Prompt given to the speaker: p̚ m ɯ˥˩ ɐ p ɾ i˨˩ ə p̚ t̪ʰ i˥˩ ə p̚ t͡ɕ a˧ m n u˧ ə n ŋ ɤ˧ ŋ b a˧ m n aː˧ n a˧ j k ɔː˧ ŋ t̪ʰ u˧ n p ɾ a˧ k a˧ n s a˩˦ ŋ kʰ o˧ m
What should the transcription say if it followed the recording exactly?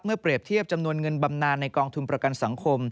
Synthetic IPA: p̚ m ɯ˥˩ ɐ p ɾ i˨˩ ə p̚ t̪ʰ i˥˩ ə p̚ t͡ɕ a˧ m n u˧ ə n ŋ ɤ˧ n b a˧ m n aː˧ nː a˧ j k ɔː˧ ŋ t̪ʰ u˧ n p ɾ a˧ k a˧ n s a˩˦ ŋ kʰ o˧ m